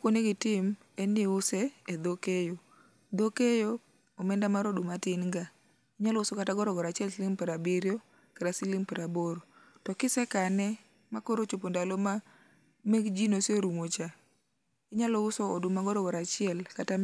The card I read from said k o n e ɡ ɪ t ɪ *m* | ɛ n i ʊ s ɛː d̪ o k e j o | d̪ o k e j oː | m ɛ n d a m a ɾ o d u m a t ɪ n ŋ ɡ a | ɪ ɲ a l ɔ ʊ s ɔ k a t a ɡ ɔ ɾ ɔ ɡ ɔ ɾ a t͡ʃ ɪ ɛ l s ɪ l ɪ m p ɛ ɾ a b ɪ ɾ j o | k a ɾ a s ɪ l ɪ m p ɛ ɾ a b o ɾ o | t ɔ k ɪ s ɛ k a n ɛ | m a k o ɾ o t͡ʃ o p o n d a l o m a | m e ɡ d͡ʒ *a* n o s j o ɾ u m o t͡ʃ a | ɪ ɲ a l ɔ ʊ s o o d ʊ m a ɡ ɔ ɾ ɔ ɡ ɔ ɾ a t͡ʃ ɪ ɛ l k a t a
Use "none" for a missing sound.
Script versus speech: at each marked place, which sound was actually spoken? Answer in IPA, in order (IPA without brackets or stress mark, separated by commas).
m, i